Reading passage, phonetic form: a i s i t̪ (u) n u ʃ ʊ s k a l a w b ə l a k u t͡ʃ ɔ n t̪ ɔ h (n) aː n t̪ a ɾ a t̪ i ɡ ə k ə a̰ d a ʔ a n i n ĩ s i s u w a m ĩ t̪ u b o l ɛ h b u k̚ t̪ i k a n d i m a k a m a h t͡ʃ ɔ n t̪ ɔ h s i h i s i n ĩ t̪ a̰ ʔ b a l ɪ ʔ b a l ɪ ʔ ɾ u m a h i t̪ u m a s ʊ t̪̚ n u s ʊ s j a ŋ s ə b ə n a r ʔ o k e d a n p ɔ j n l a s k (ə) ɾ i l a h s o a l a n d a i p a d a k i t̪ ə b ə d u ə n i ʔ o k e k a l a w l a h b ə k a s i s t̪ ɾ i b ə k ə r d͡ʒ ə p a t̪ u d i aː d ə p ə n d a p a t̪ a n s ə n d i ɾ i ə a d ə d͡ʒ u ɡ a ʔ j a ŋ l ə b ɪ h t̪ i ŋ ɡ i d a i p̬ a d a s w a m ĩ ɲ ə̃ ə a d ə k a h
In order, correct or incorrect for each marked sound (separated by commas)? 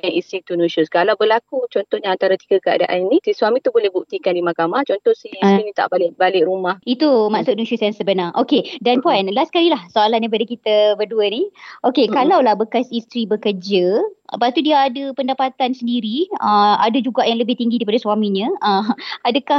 correct, incorrect, incorrect